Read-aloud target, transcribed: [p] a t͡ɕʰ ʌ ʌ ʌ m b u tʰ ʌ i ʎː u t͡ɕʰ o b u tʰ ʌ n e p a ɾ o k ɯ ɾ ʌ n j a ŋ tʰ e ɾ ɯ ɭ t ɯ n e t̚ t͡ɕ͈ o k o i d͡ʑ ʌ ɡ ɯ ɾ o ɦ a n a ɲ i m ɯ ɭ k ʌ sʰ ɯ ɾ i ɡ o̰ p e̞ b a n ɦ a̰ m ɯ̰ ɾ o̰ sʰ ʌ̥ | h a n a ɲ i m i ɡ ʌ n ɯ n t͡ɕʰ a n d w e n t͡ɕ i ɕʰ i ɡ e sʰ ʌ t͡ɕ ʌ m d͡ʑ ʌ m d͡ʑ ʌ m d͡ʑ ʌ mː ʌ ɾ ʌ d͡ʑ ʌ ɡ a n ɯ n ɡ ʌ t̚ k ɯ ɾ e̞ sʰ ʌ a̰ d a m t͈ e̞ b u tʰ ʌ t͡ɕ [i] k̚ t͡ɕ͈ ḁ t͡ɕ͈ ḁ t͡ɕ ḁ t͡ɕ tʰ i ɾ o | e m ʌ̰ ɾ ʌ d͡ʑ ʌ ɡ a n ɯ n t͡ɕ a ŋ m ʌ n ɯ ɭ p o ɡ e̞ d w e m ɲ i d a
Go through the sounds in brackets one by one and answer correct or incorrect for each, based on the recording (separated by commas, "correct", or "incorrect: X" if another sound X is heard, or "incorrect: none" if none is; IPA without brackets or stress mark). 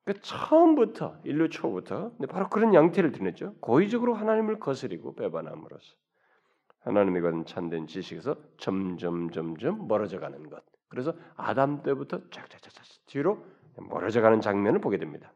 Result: incorrect: k, incorrect: a